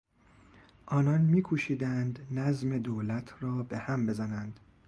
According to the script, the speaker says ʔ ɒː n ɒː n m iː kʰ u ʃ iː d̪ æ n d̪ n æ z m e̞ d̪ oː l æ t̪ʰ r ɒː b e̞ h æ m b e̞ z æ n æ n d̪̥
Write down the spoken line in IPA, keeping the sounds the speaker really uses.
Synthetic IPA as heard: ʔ ɒː n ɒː n m iː kʰ u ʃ iː d̪ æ n d̪ n æ z m e̞ d̪ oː l æ t̪ʰ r ɒː b e̞ h æ m b e̞ z æ n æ n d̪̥